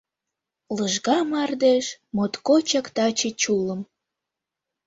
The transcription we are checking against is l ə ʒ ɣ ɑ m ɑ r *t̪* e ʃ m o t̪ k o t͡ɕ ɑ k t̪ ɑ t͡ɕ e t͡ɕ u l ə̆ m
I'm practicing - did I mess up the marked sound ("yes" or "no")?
yes